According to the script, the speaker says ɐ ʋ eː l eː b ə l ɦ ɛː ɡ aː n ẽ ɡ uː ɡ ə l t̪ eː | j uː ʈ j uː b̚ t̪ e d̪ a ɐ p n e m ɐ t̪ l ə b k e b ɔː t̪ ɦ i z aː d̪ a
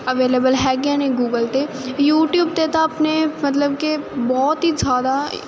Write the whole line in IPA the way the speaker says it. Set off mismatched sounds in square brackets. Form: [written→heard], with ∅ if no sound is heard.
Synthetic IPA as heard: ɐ ʋ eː l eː b ə l ɦ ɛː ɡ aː n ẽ ɡ uː ɡ ə l t̪ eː | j uː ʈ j uː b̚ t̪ e [d̪→t̪] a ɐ p n e m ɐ t̪ l ə b k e b ɔː t̪ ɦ i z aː d̪ a